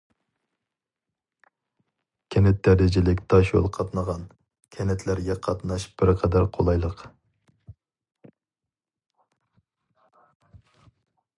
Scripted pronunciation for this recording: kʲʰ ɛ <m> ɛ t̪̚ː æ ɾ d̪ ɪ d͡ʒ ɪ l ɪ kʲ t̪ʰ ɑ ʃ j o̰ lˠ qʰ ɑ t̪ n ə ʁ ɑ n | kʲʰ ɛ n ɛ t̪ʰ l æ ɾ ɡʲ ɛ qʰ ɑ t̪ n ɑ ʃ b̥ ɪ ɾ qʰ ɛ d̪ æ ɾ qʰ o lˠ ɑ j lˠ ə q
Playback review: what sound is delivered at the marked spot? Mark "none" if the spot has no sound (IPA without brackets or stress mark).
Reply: n